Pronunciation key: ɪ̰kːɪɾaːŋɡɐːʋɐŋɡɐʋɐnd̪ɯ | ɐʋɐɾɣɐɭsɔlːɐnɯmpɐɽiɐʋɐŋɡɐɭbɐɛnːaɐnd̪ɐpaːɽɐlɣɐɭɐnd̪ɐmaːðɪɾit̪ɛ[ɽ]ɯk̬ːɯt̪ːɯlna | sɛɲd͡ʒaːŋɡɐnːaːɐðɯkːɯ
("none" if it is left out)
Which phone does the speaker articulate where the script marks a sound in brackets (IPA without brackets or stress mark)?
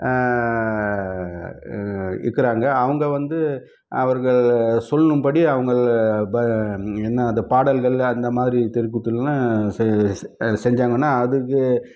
ɾ